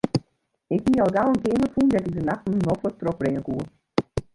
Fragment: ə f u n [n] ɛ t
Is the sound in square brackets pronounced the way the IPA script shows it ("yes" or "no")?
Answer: no